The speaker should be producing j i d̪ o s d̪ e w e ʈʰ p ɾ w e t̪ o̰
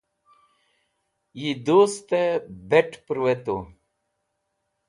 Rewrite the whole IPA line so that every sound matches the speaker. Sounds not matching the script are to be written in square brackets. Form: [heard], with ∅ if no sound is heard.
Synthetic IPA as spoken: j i d̪ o s [t̪] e [b] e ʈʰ p ɾ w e t̪ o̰